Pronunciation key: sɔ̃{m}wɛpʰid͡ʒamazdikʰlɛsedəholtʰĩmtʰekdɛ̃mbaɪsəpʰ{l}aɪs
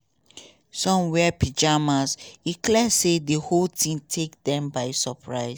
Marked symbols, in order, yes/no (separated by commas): yes, no